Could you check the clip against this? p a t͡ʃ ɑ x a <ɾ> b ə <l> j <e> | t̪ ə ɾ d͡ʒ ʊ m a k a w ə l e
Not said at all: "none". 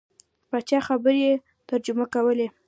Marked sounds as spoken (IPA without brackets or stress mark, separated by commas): none, ɾ, e